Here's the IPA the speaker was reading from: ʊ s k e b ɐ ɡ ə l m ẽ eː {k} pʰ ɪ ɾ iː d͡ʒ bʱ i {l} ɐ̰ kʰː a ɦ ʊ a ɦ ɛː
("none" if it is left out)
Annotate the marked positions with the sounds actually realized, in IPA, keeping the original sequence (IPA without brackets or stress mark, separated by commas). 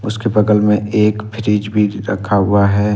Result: k, ɾ